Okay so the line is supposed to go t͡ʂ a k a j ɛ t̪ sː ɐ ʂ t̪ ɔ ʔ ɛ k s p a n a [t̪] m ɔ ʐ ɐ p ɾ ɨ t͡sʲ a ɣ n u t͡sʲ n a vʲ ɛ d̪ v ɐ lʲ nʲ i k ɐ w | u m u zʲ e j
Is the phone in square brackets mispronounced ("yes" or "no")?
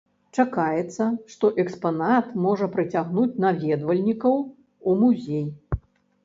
no